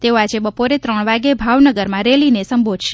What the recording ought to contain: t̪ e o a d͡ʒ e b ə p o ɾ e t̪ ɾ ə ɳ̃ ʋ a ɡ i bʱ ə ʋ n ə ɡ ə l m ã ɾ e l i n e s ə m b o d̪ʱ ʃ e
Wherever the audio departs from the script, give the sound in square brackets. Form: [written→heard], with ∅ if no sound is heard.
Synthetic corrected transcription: t̪ e o a d͡ʒ e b ə p o ɾ e t̪ ɾ ə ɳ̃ ʋ a ɡ [i→e] bʱ [ə→a] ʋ n ə ɡ ə [l→ɾ] m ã ɾ e l i n e s ə m b o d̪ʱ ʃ e